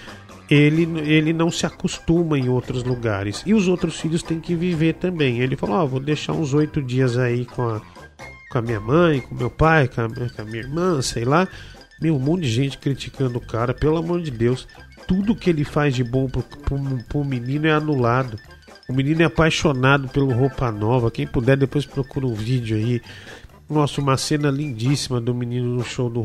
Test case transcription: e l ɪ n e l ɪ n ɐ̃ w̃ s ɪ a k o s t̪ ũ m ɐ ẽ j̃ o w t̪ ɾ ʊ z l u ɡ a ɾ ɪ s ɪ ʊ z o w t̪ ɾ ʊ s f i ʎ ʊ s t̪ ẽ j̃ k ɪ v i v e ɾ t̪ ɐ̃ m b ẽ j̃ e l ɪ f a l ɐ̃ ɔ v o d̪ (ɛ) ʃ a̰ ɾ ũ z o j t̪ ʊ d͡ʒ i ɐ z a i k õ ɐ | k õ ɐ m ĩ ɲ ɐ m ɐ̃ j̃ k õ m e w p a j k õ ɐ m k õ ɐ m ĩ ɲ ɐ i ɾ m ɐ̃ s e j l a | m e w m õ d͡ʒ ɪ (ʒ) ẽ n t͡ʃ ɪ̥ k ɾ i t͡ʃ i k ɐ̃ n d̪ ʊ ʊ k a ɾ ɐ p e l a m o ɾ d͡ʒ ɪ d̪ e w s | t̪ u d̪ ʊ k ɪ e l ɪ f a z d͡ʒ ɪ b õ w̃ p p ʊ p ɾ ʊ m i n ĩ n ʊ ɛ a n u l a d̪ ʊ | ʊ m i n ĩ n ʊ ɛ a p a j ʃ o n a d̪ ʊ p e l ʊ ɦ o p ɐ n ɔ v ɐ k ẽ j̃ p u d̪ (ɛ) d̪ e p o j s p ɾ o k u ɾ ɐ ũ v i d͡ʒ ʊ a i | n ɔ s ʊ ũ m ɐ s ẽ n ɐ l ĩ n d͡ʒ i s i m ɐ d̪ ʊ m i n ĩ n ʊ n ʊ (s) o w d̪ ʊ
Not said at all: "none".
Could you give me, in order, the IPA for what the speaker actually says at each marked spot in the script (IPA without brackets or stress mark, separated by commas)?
e, ʒ, ɛ, ʃ